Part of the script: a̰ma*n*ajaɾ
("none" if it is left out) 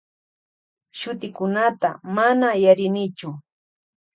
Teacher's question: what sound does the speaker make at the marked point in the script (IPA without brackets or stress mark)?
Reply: n